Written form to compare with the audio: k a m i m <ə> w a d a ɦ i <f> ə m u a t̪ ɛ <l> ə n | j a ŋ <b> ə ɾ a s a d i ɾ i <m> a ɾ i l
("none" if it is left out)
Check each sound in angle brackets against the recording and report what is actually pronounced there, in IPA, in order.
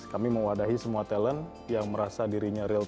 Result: ə, s, l, m, ɲ

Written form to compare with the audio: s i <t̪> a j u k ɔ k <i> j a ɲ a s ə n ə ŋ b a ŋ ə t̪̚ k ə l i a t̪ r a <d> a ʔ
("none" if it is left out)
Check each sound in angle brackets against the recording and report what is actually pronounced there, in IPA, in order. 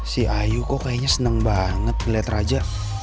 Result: none, a, d͡ʒ

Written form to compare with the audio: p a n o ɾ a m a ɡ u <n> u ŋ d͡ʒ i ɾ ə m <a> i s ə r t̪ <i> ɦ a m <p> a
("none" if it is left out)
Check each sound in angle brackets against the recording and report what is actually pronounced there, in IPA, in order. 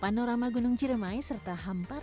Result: n, a, a, p

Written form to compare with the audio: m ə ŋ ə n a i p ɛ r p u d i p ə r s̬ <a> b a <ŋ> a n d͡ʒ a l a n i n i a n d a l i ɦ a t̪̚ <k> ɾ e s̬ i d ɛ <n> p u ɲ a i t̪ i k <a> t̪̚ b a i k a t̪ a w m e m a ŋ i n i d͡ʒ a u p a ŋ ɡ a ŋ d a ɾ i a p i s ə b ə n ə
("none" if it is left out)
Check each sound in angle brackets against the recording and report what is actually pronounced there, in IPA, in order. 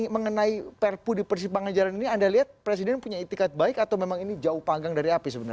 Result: i, ŋ, p, n, a

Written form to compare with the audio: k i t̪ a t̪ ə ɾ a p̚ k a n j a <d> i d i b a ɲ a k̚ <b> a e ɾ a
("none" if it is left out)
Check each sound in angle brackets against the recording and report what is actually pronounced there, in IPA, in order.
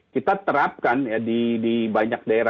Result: d, d

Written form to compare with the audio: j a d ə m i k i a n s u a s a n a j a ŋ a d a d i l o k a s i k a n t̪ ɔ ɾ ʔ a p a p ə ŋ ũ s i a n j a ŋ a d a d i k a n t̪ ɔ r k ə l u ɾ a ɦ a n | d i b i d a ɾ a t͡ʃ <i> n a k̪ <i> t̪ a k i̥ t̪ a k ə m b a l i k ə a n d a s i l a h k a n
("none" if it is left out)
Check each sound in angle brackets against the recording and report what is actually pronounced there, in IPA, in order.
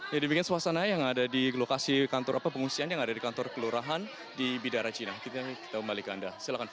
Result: i, i

